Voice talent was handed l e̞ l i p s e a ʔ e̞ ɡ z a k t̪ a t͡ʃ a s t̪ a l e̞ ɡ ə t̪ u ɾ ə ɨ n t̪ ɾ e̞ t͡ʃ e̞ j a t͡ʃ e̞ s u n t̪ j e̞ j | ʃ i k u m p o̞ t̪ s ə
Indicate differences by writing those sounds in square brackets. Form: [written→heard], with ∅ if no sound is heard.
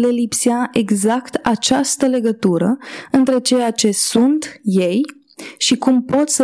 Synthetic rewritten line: l e̞ l i p s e a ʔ e̞ ɡ z a k t̪ a t͡ʃ a s t̪ [a→ə] l e̞ ɡ ə t̪ u ɾ ə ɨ n t̪ ɾ e̞ t͡ʃ e̞ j a t͡ʃ e̞ s u n t̪ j e̞ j | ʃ i k u m p o̞ t̪ s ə